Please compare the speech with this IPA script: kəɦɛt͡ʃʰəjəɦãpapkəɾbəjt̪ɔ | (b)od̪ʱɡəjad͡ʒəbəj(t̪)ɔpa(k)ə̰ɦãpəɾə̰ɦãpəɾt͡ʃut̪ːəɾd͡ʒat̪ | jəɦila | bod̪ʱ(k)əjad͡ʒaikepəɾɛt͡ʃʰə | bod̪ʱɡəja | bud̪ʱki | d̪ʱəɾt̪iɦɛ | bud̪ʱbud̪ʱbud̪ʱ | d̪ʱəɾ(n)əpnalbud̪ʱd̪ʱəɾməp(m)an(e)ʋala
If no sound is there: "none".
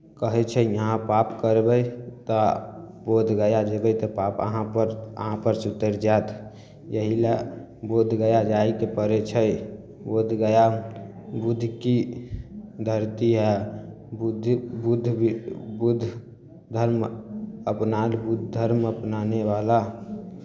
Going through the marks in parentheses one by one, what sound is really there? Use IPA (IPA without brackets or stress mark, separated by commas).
b, t̪, p, ɡ, m, n, e